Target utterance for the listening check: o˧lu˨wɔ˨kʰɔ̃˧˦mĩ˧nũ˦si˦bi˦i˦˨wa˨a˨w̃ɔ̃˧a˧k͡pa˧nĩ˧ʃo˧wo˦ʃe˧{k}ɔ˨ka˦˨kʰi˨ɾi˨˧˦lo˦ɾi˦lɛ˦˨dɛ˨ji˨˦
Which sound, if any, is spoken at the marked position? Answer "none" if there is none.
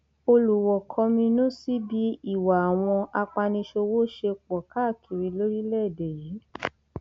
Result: k͡p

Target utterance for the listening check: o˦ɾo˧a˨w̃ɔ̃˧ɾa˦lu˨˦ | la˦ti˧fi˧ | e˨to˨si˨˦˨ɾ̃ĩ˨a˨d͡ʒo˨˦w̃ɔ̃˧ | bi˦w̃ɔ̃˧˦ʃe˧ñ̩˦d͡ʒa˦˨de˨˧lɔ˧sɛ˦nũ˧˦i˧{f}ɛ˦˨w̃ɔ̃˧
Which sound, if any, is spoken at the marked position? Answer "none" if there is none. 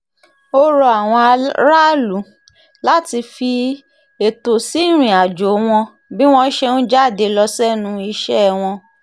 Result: ʃ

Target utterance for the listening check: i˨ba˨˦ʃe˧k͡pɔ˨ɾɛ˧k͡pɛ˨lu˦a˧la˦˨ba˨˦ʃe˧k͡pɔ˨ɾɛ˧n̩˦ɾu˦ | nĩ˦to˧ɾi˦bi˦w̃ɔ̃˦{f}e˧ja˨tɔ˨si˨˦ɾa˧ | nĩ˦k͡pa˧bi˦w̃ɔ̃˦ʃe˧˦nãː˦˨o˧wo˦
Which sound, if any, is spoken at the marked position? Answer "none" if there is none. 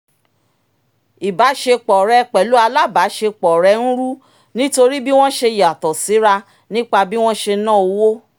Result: ʃ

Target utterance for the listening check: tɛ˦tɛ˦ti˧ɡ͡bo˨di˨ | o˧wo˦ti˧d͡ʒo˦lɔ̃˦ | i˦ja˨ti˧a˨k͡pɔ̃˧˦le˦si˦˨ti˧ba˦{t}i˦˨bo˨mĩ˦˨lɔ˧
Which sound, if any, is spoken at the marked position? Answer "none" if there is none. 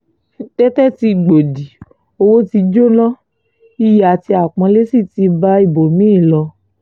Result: none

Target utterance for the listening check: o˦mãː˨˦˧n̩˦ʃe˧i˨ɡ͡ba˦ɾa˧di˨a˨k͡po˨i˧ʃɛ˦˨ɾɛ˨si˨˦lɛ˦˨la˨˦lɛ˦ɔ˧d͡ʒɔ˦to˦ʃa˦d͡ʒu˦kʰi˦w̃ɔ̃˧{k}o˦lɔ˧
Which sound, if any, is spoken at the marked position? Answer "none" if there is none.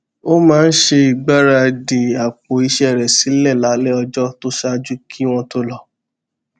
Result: t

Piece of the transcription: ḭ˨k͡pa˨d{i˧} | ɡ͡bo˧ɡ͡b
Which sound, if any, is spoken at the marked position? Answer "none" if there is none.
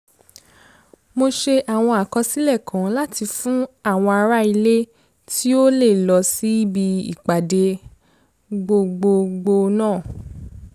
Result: e˧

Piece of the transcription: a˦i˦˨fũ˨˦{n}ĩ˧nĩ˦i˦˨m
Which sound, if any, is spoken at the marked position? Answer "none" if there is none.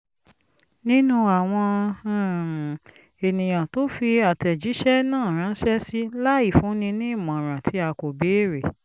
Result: n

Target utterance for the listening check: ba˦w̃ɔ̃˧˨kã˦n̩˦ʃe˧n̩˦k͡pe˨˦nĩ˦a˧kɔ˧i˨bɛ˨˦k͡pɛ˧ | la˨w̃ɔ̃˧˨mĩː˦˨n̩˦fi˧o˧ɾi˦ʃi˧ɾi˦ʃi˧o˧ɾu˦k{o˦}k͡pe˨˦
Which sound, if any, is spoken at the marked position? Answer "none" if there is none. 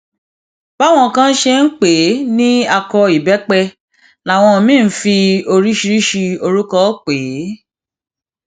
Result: ɔ˦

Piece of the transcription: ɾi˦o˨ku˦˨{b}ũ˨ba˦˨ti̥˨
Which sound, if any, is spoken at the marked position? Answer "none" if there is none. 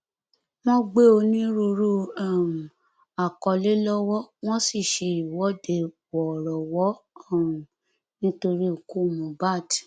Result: m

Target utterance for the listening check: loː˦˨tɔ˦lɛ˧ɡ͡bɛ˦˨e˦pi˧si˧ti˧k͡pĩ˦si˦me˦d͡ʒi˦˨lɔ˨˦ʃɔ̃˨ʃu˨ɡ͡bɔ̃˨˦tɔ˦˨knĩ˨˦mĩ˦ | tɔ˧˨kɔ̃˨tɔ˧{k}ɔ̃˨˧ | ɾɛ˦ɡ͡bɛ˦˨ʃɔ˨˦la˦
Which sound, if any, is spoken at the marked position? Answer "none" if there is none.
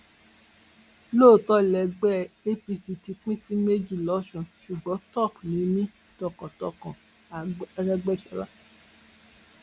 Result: k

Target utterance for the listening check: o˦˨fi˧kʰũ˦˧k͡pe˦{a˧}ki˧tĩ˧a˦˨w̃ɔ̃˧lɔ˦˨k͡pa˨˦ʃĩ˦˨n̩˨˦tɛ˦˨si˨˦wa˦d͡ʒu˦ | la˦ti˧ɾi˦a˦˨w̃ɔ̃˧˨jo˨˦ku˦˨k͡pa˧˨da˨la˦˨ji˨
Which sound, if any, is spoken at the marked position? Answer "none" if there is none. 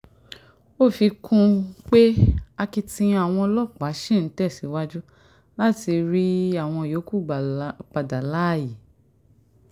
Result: a˧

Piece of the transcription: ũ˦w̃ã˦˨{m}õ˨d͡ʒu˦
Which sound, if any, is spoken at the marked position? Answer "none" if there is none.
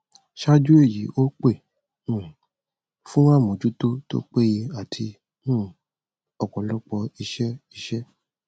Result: m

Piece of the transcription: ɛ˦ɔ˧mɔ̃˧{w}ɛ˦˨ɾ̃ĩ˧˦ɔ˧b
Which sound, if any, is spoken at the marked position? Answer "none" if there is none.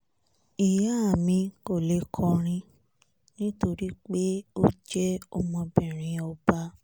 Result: b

